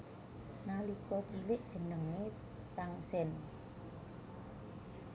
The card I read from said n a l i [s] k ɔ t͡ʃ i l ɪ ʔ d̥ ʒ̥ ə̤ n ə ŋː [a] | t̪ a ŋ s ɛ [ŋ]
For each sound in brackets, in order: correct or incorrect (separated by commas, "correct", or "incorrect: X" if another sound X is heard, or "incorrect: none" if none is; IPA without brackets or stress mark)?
incorrect: none, incorrect: e, incorrect: n